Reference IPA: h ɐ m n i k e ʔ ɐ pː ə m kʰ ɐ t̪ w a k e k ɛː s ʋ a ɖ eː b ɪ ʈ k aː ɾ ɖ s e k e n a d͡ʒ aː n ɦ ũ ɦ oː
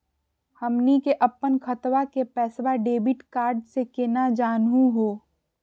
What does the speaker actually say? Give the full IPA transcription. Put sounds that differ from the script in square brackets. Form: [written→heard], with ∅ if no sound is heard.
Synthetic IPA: h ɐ m n i k e ʔ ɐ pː ə [m→n] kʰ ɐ t̪ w a k e [k→p] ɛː s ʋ a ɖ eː b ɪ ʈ k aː ɾ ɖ s e k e n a d͡ʒ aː n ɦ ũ ɦ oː